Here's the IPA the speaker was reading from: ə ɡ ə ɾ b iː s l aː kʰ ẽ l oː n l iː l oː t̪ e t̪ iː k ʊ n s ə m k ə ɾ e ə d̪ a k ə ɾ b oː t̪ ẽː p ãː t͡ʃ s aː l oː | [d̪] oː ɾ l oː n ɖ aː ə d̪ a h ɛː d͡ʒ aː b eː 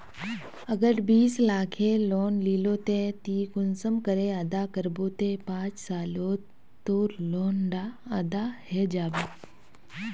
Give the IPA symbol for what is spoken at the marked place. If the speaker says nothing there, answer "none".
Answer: t̪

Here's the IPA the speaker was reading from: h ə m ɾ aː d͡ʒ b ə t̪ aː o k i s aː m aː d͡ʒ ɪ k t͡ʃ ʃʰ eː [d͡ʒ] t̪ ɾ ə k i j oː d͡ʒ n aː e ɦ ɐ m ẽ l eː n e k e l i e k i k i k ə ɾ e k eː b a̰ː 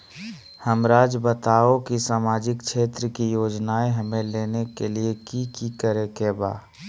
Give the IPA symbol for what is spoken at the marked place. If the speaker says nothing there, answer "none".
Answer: none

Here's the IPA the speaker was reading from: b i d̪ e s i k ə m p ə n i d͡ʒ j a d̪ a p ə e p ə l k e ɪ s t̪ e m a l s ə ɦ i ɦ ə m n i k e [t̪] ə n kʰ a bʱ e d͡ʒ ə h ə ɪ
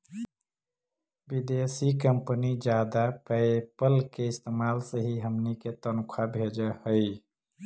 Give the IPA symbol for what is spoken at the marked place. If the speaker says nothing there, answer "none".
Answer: t̪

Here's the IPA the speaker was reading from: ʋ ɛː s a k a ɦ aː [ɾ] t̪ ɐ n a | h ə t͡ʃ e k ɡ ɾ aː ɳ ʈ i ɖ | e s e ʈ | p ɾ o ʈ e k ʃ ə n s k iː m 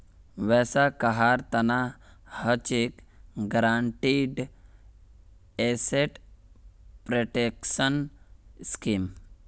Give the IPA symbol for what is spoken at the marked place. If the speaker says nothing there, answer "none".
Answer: ɾ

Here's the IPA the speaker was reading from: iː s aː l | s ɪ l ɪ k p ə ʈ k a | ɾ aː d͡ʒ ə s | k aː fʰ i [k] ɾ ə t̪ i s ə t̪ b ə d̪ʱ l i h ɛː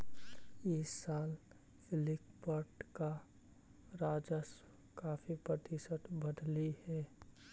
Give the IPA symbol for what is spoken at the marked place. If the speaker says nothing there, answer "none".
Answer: p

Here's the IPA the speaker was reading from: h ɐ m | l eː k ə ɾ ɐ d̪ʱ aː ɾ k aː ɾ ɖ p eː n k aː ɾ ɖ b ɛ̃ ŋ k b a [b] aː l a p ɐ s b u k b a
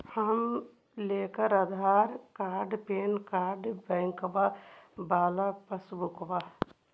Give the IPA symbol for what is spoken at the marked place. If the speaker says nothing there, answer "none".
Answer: b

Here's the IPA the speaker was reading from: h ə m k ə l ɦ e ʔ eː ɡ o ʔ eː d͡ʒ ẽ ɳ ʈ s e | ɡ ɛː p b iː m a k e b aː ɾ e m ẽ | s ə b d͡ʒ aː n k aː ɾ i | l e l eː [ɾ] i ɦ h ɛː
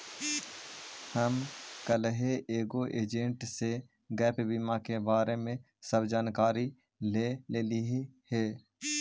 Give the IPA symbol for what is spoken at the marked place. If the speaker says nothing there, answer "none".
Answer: l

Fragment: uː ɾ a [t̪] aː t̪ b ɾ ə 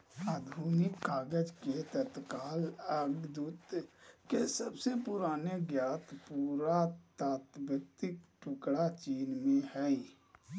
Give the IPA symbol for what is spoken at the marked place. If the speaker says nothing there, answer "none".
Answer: t̪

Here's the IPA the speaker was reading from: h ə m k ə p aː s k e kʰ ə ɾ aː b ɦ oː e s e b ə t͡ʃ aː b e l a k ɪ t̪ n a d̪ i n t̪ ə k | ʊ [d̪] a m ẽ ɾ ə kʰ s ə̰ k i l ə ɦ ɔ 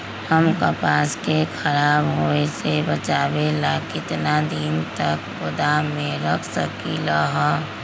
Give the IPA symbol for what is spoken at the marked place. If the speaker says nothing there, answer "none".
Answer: d̪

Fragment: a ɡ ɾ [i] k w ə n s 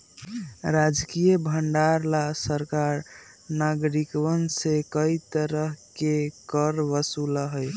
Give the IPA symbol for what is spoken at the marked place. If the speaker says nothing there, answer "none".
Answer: i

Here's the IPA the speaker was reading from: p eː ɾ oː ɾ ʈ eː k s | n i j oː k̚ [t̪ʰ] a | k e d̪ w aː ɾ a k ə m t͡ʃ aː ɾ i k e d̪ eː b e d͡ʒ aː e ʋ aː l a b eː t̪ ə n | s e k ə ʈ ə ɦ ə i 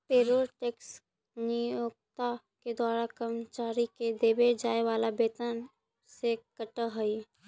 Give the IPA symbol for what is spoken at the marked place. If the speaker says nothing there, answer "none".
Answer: t̪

